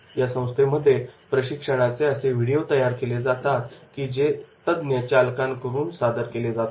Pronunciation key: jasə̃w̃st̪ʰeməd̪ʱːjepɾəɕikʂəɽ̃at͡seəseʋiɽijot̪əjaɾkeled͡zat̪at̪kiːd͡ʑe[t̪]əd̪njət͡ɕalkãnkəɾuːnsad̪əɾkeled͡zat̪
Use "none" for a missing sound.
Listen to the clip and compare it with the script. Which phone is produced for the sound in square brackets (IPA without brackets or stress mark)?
t̪